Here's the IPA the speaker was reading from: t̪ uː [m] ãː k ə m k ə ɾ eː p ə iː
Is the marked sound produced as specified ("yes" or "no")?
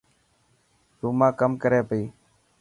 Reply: yes